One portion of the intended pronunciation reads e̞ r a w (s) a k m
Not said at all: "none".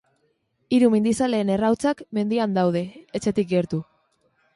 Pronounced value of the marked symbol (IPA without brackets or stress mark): t͡s